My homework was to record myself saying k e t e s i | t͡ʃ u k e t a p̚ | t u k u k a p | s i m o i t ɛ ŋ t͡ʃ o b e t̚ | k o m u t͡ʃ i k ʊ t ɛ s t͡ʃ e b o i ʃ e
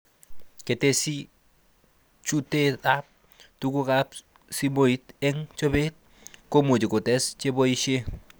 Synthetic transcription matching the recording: k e t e s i | t͡ʃ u t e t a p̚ | t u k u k a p | s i m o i t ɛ ŋ t͡ʃ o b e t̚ | k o m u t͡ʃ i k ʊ t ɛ s t͡ʃ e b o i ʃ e